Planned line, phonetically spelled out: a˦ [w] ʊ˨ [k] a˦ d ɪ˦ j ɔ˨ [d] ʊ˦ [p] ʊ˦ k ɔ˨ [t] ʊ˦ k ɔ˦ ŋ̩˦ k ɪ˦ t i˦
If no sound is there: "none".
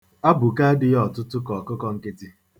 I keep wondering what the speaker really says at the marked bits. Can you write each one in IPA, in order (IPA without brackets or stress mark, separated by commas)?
b, k, t, t, k